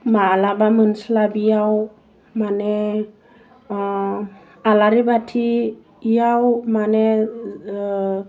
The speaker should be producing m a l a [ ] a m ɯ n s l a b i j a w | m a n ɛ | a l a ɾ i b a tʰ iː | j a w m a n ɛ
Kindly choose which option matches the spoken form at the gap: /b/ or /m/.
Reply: b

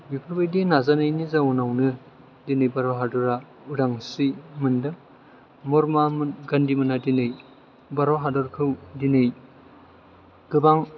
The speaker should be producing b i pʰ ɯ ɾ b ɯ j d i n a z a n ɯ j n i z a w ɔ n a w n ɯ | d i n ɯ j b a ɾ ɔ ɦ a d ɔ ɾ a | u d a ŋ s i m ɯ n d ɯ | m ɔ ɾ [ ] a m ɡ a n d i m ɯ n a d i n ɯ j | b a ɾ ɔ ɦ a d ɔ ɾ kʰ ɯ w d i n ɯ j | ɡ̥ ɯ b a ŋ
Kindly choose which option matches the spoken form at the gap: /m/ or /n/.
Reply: m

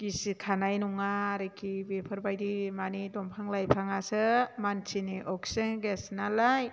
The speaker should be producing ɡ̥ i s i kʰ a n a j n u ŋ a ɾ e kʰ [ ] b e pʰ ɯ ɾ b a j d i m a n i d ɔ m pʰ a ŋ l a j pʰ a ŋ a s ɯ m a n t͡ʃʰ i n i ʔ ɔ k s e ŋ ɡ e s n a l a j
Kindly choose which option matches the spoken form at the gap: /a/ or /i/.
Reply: i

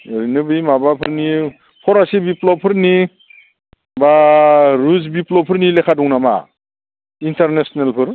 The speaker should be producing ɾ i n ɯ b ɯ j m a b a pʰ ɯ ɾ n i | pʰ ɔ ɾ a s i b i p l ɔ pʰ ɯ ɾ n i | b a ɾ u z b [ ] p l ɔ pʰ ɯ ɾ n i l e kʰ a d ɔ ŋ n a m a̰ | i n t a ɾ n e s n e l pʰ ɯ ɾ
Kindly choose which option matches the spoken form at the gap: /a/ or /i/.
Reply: i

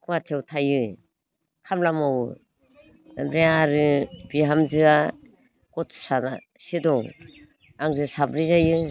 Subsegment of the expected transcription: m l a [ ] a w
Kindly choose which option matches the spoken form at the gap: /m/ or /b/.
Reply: m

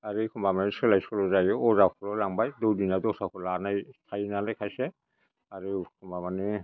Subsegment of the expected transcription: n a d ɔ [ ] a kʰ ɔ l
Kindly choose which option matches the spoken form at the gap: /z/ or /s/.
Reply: s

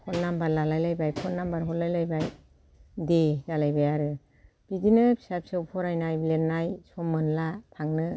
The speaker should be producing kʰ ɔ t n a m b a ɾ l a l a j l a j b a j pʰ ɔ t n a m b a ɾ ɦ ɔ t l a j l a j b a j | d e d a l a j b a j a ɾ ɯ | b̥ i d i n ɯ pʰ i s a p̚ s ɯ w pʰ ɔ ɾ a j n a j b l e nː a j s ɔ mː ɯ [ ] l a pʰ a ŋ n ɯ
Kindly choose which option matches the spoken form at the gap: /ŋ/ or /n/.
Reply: n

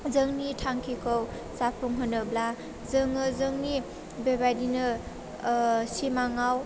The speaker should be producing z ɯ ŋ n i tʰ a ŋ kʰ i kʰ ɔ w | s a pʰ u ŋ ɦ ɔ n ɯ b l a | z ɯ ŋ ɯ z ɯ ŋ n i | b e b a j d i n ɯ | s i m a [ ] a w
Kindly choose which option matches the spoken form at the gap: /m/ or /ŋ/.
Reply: ŋ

